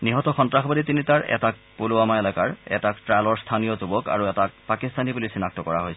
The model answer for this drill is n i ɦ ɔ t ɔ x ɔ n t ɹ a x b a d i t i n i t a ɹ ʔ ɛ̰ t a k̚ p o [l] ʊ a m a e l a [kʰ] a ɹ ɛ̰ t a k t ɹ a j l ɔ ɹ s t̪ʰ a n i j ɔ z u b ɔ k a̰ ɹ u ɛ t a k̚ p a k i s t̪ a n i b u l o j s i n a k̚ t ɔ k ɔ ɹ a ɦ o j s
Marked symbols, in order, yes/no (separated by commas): yes, no